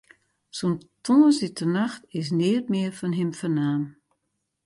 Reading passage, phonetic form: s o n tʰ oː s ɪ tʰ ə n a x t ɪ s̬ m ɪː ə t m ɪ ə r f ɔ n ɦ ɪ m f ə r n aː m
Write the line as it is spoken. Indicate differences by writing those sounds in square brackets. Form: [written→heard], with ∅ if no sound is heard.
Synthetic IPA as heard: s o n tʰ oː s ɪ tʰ ə n a x t ɪ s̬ [m→n] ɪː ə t m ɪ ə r f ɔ n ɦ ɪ m f ə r n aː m